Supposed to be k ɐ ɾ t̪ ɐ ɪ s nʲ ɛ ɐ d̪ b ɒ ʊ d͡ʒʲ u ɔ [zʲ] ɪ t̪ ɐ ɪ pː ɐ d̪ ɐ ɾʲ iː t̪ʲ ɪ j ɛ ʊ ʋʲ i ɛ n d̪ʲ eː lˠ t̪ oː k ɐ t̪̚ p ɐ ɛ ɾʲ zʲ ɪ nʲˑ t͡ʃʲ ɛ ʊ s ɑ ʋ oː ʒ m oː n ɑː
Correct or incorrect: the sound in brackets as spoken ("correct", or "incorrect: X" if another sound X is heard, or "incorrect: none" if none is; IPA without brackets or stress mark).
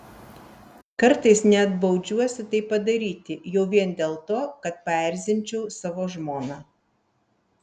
incorrect: sʲ